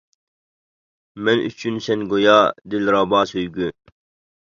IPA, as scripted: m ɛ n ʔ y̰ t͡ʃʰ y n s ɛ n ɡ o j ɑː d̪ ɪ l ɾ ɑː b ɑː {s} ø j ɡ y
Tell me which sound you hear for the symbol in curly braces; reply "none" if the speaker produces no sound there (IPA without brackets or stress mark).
s